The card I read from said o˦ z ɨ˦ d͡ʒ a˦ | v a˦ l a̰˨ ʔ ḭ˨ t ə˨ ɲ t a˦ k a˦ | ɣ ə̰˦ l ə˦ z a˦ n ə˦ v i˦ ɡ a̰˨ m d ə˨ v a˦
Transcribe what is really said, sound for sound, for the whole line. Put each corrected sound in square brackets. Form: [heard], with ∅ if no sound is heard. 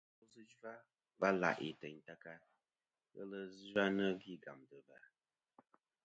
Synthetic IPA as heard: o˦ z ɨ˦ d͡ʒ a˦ | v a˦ l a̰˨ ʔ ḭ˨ t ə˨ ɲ t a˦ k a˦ | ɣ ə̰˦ l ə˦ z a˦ n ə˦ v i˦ ɡ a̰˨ m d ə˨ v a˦